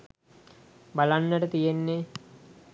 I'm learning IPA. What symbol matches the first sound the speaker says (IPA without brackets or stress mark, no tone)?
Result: b